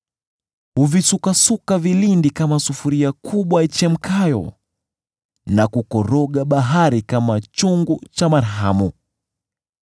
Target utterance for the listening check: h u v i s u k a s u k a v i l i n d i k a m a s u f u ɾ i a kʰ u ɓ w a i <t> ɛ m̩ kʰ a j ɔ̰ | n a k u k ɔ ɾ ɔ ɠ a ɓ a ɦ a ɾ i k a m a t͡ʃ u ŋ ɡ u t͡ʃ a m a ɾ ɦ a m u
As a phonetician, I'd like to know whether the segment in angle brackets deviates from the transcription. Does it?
yes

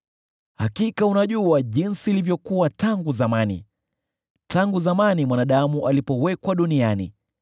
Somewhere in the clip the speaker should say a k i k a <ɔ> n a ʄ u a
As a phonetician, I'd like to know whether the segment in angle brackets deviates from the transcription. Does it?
yes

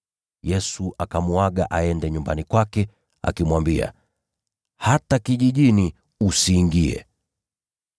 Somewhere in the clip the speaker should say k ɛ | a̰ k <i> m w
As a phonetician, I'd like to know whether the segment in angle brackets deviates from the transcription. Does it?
no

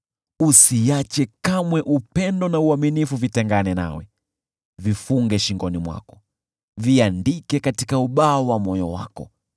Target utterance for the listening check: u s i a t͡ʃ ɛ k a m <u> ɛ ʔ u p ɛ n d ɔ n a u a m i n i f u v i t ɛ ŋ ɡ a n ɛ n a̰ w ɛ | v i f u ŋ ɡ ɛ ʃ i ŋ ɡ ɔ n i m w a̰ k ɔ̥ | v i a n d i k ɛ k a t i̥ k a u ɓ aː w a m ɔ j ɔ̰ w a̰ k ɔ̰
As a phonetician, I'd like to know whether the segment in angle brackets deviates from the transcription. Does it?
yes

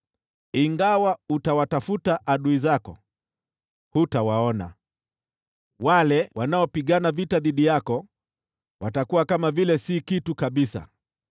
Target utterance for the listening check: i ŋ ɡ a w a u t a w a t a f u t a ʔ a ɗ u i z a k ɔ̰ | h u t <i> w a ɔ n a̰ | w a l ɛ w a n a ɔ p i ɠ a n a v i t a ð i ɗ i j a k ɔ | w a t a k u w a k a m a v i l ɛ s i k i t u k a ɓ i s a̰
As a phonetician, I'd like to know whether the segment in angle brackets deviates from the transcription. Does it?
yes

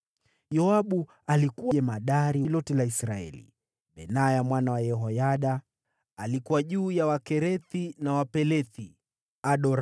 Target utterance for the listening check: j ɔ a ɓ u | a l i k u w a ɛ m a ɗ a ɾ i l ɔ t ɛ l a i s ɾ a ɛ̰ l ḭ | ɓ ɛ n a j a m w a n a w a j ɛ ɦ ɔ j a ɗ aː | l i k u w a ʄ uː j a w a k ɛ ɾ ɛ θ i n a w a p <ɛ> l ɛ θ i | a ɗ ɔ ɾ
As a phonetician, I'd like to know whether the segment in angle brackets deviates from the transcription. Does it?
no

